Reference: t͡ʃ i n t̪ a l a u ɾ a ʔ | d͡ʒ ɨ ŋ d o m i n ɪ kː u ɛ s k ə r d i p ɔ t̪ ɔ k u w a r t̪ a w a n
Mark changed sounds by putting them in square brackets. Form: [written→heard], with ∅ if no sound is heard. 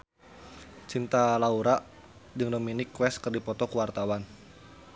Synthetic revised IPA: t͡ʃ i n t̪ a l a u ɾ a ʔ | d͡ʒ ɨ ŋ d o m i n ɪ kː [u→w] ɛ s k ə r d i p ɔ t̪ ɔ k u w a r t̪ a w a n